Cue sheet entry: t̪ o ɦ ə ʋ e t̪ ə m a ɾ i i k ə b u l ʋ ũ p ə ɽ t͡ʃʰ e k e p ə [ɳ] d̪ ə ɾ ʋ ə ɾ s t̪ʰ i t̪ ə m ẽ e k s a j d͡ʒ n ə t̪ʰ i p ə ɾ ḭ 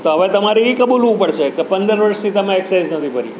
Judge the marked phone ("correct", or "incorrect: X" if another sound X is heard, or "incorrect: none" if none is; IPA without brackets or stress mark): incorrect: n